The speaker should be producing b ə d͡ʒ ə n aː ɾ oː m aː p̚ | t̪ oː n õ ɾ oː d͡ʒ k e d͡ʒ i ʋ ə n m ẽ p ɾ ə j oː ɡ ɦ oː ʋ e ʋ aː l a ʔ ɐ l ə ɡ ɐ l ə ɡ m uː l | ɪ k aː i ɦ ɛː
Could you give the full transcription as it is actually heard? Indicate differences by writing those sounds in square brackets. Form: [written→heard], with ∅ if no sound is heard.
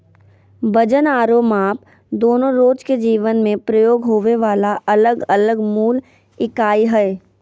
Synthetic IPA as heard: b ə d͡ʒ ə n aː ɾ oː m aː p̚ | [t̪→d̪] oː n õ ɾ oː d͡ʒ k e d͡ʒ [i→iː] ʋ ə n m ẽ p ɾ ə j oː ɡ ɦ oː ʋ e ʋ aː l a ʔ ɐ l ə ɡ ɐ l ə ɡ m uː l | ɪ k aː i ɦ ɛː

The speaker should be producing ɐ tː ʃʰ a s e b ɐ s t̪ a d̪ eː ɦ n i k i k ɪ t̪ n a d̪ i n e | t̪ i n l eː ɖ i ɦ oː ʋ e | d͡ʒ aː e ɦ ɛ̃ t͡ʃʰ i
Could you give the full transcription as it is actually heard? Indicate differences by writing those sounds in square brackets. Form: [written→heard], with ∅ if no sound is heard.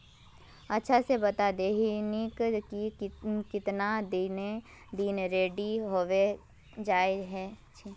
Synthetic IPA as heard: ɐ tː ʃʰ a s e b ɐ [s→∅] t̪ a d̪ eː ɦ n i k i k ɪ t̪ n a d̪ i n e | [t̪→d̪] i n [l→ɾ] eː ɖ i ɦ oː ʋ e | d͡ʒ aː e ɦ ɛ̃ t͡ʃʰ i

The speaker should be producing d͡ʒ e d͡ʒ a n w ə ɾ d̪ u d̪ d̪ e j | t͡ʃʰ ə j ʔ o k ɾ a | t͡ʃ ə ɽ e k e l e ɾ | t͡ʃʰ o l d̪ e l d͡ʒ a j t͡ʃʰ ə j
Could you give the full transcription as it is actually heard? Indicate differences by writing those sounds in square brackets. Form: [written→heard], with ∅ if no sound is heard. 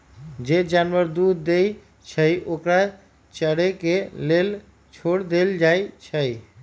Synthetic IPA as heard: d͡ʒ e d͡ʒ a n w ə ɾ d̪ u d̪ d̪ e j | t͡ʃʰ ə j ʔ o k ɾ a | t͡ʃ ə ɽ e k e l e [ɾ→l] | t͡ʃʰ o [l→ɽ] d̪ e l d͡ʒ a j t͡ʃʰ ə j

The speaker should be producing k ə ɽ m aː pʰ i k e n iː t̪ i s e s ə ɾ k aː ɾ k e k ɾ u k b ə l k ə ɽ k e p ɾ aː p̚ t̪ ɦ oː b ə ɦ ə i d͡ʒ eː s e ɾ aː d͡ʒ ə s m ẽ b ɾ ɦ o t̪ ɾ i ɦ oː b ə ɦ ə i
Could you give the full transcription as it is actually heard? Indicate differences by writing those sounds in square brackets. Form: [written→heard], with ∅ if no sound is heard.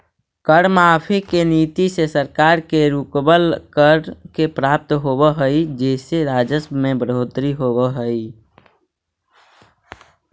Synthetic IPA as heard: k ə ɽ m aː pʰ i k e n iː t̪ i s e s ə ɾ k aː ɾ k e [k→∅] ɾ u k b ə l k ə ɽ k e p ɾ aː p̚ t̪ ɦ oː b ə ɦ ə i d͡ʒ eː s e ɾ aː d͡ʒ ə s m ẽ b ɾ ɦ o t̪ ɾ i ɦ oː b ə ɦ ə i

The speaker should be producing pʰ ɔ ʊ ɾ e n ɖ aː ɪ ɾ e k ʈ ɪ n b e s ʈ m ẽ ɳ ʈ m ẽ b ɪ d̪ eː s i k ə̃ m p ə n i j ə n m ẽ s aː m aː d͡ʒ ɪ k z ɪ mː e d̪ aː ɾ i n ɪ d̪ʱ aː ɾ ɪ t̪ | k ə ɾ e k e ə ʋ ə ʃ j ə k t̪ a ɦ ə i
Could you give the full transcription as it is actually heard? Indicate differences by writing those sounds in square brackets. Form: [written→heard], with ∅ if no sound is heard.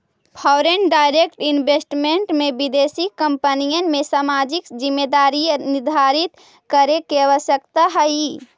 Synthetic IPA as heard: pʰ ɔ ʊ ɾ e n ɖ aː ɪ ɾ e k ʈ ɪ n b e s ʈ m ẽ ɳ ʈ m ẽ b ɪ d̪ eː s i k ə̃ m p ə n i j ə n m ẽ s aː m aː d͡ʒ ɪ k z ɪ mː e d̪ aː ɾ i n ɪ d̪ʱ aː ɾ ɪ t̪ | k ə ɾ e k e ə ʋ ə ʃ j ə k t̪ a ɦ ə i

